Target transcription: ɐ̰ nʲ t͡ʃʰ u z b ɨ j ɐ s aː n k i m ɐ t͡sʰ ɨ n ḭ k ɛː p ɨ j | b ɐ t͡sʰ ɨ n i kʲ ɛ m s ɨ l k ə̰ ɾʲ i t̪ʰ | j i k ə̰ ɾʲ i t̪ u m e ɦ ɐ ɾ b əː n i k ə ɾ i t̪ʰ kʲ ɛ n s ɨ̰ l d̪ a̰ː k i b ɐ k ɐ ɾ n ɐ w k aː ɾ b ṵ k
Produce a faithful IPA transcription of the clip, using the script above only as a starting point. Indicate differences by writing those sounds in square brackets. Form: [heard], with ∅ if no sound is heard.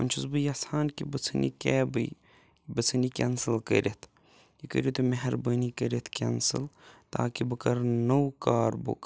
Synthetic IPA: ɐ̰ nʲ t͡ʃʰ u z b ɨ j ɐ s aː n k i [b] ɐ t͡sʰ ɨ n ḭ k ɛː [b] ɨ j | b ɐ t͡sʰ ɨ n i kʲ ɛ [n] s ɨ l k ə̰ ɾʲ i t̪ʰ | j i k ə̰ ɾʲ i t̪ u m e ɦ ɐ ɾ b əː n i k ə ɾ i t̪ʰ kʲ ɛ n s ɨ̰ l [t̪] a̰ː k i b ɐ k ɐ ɾ n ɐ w k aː ɾ b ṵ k